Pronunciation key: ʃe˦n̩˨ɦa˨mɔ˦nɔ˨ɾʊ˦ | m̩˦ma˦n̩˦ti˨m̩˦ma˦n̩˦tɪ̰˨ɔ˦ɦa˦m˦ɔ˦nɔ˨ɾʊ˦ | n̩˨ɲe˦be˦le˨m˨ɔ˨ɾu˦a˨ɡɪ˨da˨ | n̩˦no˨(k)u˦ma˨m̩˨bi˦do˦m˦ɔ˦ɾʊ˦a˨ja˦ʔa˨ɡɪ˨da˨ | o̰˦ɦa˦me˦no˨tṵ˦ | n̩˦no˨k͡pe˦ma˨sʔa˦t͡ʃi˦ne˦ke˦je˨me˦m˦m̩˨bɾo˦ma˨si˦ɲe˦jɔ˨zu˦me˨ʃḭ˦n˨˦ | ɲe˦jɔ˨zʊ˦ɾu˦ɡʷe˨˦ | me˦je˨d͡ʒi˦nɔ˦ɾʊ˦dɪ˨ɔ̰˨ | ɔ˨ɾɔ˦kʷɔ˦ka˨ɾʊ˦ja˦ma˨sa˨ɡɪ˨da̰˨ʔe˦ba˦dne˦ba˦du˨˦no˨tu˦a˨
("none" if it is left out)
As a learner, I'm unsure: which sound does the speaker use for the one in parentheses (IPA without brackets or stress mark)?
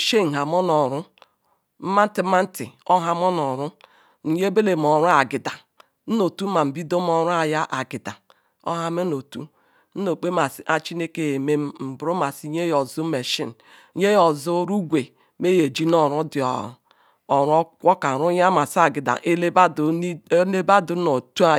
t